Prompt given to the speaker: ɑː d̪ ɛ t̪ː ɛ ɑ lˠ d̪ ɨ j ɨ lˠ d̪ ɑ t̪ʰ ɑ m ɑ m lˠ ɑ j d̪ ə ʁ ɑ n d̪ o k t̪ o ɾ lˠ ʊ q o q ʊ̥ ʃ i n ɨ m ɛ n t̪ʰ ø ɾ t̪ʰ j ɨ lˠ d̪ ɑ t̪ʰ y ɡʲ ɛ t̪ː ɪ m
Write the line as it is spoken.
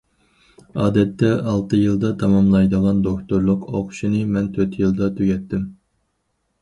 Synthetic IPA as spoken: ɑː d̪ ɛ t̪ː ɛ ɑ lˠ t̪ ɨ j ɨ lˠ d̪ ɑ t̪ʰ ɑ m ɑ m lˠ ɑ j d̪ ə ʁ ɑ n d̪ o k t̪ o ɾ lˠ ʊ q o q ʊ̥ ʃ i n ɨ m ɛ n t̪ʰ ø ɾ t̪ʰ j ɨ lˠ d̪ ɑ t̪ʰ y ɡʲ ɛ t̪ː ɪ m

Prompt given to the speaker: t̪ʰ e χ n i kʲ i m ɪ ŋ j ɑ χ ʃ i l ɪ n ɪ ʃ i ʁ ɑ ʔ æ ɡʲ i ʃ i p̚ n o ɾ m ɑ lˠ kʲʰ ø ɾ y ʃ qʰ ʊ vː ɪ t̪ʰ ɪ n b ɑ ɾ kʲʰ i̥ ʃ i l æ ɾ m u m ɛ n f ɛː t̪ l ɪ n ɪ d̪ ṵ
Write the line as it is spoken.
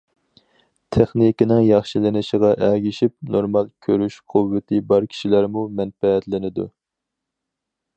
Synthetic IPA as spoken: t̪ʰ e χ n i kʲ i n ɪ ŋ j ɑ χ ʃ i l ɪ n ɪ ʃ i ʁ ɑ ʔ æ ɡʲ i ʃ i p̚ n o ɾ m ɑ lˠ kʲʰ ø ɾ y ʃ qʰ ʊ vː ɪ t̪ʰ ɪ b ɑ ɾ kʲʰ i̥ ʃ i l æ ɾ m u m ɛ n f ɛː t̪ l ɪ n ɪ d̪ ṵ

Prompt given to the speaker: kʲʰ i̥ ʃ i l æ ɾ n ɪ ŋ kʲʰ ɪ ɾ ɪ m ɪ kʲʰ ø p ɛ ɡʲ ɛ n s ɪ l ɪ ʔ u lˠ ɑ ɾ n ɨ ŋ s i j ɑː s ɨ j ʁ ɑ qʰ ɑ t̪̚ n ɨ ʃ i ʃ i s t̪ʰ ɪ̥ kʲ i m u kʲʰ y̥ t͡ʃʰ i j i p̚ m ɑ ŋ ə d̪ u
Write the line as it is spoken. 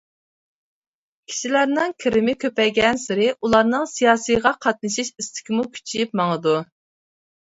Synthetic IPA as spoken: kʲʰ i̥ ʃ i l æ ɾ n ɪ ŋ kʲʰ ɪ ɾ ɪ m ɪ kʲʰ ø p ɛ ɡʲ ɛ n s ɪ ɾ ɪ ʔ u lˠ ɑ ɾ n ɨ ŋ s i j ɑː s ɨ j ʁ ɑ qʰ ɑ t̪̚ n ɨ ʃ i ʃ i s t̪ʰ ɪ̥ kʲ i m u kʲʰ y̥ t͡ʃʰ i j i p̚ m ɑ ŋ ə d̪ u

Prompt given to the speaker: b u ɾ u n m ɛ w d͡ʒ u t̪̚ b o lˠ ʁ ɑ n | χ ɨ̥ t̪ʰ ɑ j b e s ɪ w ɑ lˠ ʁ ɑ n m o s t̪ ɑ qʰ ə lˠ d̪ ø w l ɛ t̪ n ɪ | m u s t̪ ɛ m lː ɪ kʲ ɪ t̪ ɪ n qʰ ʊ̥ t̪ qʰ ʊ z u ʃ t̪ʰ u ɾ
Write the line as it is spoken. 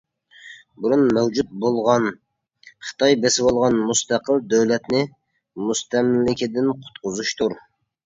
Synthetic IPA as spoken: b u ɾ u n m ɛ w d͡ʒ u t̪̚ b o lˠ ʁ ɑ n | χ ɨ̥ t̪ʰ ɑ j b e s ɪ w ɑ lˠ ʁ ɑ n m u s t̪ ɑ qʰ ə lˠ d̪ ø w l ɛ t̪ n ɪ | m u s t̪ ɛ m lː ɪ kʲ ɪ d̪ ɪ n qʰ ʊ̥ t̪ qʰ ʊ z u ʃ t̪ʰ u ɾ

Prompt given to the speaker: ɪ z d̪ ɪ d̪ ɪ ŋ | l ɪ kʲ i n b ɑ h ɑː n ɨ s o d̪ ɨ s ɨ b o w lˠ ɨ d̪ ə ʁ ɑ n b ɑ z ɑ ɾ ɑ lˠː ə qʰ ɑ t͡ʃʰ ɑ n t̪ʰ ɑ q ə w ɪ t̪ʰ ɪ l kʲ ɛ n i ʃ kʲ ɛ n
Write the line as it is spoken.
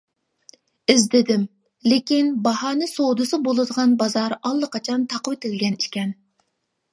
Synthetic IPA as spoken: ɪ z d̪ ɪ d̪ ɪ m | l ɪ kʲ i n b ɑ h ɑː n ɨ s o d̪ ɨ s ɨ b o lˠ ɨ d̪ ə ʁ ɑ n b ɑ z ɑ ɾ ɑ lˠː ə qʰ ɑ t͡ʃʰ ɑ n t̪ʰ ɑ q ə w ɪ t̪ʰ ɪ l ɡʲ ɛ n i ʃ kʲ ɛ n

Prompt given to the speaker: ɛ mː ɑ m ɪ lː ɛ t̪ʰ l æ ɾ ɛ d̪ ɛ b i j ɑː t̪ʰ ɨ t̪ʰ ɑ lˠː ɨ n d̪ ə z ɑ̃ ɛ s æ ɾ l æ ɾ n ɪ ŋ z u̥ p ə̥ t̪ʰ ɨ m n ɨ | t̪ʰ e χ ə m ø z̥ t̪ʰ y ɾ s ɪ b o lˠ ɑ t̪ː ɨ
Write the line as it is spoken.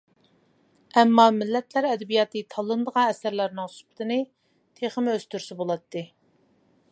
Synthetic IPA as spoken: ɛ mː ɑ m ɪ lː ɛ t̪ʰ l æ ɾ ɛ d̪ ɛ b i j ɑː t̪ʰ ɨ t̪ʰ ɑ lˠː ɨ n d̪ ə ʁ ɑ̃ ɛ s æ ɾ l æ ɾ n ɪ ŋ s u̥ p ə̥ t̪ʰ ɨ n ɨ | t̪ʰ e χ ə m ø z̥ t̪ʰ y ɾ s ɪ b o lˠ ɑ t̪ː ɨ

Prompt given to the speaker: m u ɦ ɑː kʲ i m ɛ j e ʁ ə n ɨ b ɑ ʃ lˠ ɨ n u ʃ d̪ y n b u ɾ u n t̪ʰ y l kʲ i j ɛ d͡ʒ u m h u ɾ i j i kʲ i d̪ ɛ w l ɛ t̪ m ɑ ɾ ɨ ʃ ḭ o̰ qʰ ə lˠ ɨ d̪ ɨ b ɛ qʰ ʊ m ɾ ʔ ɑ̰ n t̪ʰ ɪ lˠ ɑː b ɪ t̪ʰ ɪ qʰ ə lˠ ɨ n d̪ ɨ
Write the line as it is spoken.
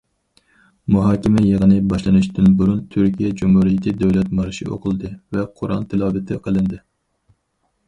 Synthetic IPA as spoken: m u ɦ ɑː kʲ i m ɛ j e ʁ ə n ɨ b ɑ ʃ lˠ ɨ n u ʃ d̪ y n b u ɾ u n t̪ʰ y ɾ kʲ i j ɛ d͡ʒ u m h u ɾ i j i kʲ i d̪ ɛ w l ɛ t̪ m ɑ ɾ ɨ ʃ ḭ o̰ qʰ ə lˠ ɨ d̪ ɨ v ɛ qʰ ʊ ɾ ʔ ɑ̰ n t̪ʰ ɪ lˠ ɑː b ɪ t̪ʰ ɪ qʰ ə lˠ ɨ n d̪ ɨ

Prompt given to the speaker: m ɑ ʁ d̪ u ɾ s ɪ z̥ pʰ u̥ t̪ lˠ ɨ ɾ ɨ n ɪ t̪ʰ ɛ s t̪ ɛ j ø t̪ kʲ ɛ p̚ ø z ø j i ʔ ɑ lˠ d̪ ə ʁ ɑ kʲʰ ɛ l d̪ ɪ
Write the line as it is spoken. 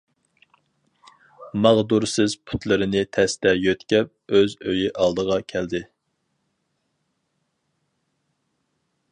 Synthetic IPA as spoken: m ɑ ʁ d̪ u ɾ s ɪ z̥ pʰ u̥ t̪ lˠ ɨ ɾ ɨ n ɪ t̪ʰ ɛ s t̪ ɛ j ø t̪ kʲ ɛ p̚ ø z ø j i ʔ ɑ lˠ d̪ ə ʁ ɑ kʲʰ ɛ l d̪ ɪ

